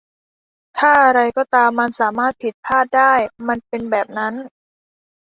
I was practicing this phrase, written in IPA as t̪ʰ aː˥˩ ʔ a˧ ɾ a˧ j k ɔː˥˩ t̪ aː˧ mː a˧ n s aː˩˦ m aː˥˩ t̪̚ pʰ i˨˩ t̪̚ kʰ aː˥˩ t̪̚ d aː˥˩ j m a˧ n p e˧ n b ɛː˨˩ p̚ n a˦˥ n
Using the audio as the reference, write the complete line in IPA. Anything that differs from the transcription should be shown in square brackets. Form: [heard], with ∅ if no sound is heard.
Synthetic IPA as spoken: t̪ʰ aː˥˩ ʔ a˧ ɾ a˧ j k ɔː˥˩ t̪ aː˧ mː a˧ n s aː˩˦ m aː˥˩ t̪̚ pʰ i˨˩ t̪̚ [pʰ] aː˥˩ t̪̚ d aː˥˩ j m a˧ n p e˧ n b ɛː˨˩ p̚ n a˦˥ n